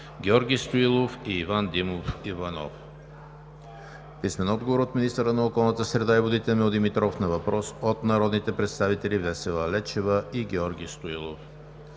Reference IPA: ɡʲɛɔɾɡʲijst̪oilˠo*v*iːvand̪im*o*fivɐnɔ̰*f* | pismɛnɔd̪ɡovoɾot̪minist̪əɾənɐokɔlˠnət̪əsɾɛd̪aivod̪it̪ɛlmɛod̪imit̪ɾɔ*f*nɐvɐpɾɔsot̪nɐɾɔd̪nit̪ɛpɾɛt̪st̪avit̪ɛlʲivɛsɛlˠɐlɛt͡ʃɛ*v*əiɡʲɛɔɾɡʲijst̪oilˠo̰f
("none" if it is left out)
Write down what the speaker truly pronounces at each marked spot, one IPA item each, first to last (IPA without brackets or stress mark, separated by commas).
f, o, f, f, v